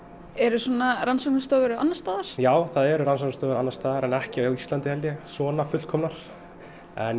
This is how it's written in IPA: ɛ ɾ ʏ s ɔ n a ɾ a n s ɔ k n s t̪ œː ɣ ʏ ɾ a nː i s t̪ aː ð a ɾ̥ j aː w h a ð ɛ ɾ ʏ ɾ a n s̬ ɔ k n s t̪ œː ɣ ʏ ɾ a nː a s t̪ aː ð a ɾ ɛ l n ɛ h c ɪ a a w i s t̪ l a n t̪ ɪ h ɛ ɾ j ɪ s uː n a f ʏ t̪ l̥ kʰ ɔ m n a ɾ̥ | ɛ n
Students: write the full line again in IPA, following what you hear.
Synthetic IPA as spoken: ɛ ɾ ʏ s ɔ n a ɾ a n s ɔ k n s t̪ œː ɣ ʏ ɾ a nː a s t̪ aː ð a ɾ̥ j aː w θ a ð ɛ ɾ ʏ ɾ a n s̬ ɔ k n s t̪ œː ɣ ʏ ɾ a nː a s t̪ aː ð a ɾ ɛ n ɛ h c ɪ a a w i s t̪ l a n t̪ ɪ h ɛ l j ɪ s ɔː n a f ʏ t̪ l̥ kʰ ɔ m n a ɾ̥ | ɛ n